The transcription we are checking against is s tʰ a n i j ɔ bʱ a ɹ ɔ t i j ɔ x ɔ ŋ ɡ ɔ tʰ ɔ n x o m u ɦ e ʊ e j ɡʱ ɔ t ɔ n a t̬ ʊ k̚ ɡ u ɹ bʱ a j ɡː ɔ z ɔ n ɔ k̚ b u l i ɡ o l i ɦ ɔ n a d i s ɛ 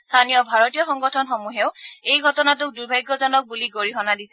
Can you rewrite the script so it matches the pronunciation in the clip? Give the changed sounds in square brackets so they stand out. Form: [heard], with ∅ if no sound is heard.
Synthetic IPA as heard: s tʰ a n i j ɔ bʱ a ɹ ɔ t i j ɔ x ɔ ŋ ɡ ɔ tʰ ɔ n x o m u ɦ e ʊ e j ɡʱ ɔ t ɔ n a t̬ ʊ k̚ [d] u ɹ bʱ a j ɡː ɔ z ɔ n ɔ k̚ b u l i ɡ o [ɹ] i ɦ ɔ n a d i s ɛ